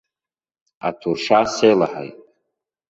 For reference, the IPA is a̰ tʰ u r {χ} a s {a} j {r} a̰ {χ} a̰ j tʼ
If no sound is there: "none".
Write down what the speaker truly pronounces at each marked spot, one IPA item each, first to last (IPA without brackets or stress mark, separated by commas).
ʂ, e, l, ħ